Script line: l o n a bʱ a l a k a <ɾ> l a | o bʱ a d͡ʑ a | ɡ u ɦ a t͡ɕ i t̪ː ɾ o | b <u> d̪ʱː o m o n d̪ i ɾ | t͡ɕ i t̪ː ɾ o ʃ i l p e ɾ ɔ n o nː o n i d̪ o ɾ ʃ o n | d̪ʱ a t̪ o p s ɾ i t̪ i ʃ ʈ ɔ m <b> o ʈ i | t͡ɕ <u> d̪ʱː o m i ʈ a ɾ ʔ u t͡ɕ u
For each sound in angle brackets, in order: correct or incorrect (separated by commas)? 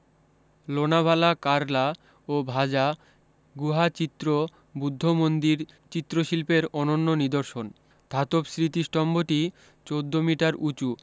correct, correct, correct, incorrect